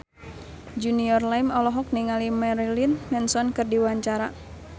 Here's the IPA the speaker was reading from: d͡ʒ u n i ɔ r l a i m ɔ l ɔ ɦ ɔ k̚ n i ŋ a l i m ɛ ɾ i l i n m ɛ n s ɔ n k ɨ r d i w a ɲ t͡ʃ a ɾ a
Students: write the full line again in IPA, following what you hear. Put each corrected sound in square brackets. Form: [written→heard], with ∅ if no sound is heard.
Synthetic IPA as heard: d͡ʒ u n i ɔ r l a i m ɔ l ɔ ɦ ɔ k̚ n i ŋ a l i m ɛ ɾ i l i n m ɛ n s ɔ n k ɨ r d i w a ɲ t͡ʃ a ɾ a